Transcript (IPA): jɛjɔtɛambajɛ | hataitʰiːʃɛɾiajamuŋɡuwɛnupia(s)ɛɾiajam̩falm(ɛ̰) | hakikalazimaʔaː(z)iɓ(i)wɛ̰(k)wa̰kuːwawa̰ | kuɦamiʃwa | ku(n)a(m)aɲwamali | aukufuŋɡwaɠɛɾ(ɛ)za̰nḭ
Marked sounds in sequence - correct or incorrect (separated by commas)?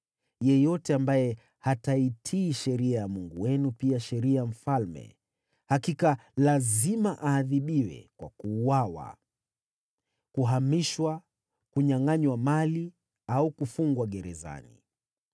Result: incorrect, correct, incorrect, correct, correct, incorrect, incorrect, correct